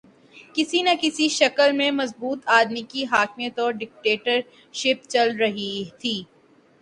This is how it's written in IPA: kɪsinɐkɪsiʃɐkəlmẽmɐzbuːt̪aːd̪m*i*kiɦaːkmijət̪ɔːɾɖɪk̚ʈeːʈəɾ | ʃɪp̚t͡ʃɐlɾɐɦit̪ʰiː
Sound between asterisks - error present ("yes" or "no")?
no